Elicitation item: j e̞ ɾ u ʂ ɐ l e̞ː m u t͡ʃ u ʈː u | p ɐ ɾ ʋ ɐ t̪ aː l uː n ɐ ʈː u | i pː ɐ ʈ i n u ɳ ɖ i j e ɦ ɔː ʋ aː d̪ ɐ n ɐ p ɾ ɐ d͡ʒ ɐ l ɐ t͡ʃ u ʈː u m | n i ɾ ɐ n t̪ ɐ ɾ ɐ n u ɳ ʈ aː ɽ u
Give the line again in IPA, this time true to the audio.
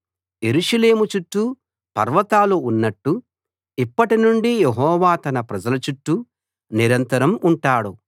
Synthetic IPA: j e̞ ɾ u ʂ ɐ l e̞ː m u t͡ʃ u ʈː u | p ɐ ɾ ʋ ɐ t̪ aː l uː nː ɐ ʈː u | i pː ɐ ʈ i n u ɳ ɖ i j e ɦ ɔː ʋ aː t̪ ɐ n ɐ p ɾ ɐ d͡ʒ ɐ l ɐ t͡ʃ u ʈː u | n i ɾ ɐ n t̪ ɐ ɾ ɐ m u ɳ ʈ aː ɽ u